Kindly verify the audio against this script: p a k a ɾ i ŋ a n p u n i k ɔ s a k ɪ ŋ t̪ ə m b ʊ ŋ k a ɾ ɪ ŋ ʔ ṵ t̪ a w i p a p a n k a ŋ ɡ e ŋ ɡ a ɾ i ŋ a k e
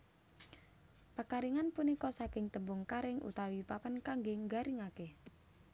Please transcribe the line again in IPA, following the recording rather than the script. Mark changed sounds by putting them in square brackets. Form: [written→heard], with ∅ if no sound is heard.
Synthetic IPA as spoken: p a k a ɾ i ŋ a n p u n i k ɔ s a k ɪ ŋ t̪ ə m b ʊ ŋ k a ɾ ɪ ŋ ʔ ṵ t̪ a w i p a p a n k a ŋ ɡ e ŋ ɡ a ɾ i ŋ a k e